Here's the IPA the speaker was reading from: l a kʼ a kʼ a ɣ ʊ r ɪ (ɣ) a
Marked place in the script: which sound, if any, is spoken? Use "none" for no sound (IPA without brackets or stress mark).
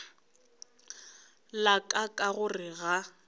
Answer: ɣ